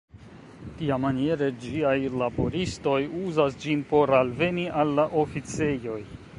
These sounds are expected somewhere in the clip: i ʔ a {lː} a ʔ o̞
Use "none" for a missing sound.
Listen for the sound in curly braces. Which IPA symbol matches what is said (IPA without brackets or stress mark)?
lː